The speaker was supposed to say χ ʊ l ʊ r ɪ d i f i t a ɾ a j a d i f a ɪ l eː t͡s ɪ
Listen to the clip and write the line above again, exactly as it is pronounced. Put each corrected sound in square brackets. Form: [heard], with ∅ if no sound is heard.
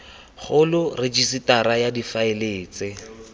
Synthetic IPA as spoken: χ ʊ l ʊ r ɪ [d͡ʒ] i [s] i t a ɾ a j a d i f a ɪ l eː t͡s ɪ